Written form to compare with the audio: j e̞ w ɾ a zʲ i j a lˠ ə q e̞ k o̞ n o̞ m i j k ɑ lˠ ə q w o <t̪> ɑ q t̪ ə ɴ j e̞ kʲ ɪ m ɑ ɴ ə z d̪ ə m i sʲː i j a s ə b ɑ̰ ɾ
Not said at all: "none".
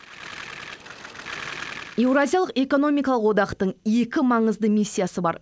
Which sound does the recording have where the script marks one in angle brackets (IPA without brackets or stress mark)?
d̪